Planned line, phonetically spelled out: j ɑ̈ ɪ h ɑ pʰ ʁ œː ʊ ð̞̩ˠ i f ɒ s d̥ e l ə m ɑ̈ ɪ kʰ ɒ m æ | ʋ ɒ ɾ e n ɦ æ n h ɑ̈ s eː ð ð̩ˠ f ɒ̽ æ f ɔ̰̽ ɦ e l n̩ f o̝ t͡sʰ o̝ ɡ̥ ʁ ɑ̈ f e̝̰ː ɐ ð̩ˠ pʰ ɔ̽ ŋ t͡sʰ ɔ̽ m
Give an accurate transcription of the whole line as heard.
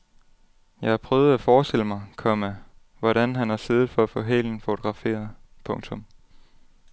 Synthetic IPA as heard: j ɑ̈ ɪ h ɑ pʰ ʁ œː ʊ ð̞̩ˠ æ f ɒː s d̥ e l ə m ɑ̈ ɪ kʰ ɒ m æ | ʋ ɒ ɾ æ n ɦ æ n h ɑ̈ s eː ð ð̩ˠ f ɒ̽ æ f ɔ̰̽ ɦ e l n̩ f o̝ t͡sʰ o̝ ɡ̥ ʁ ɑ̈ f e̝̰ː ɐ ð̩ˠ pʰ ɔ̽ ŋ t͡sʰ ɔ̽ m